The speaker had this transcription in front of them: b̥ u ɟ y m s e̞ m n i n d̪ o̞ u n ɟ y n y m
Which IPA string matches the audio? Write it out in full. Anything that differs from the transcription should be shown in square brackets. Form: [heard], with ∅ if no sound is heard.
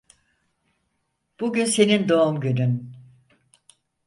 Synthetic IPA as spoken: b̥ u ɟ y [n] s e̞ [∅] n i n d̪ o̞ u [m] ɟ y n y [n]